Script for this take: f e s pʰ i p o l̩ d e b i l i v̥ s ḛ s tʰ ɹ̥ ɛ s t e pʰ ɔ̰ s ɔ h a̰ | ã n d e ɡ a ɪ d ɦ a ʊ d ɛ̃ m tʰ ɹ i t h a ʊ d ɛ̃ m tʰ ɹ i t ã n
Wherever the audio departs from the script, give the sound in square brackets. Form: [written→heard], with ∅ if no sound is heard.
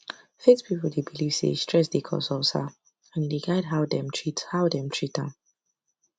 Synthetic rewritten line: f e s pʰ i p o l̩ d e b i l i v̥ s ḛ s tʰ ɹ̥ ɛ s [t→d] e [pʰ→kʰ] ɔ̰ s ɔ [h→s] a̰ | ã n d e ɡ a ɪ d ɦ a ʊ d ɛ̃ m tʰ ɹ i t h a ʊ d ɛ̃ m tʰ ɹ i t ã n